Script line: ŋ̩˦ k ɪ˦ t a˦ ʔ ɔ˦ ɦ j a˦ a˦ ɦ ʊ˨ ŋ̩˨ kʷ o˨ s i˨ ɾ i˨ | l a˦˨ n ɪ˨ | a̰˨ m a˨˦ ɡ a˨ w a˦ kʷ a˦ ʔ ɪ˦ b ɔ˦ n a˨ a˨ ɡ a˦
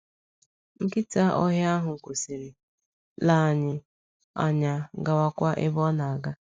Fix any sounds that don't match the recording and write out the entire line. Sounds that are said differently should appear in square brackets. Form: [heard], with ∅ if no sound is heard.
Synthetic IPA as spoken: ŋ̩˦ k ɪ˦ t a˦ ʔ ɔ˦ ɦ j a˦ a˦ ɦ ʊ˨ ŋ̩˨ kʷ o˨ s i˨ ɾ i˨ | l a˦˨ [ɲ] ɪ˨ | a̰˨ [ɲ] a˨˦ ɡ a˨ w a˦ kʷ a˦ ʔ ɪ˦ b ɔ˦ n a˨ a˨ ɡ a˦